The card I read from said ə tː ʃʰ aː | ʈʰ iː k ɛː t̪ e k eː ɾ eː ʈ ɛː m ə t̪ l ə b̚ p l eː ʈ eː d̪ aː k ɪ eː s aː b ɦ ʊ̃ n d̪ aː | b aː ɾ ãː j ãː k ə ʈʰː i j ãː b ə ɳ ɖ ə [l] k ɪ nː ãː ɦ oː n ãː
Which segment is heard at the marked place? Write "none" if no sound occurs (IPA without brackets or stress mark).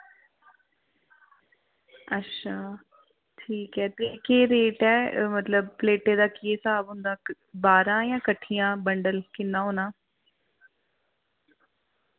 l